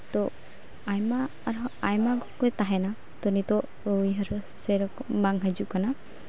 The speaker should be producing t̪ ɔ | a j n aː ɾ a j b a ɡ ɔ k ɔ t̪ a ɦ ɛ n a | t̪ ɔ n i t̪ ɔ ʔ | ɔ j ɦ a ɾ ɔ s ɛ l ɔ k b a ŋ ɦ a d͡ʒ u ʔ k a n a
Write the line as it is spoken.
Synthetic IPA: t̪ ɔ | a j m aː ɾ a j m a ɡ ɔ k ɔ t̪ a ɦ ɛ n a | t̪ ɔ n i t̪ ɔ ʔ | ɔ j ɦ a ɾ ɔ s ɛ ɾ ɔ k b a ŋ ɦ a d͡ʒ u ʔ k a n a